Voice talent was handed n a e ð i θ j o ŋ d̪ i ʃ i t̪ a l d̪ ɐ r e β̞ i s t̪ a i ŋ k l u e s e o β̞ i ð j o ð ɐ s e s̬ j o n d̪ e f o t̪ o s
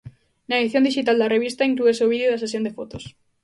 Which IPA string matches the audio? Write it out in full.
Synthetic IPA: n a e ð i θ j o n d̪ i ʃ i t̪ a l d̪ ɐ r e β̞ i s t̪ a i ŋ k l u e s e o β̞ i ð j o ð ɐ s e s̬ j o n d̪ e f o t̪ o s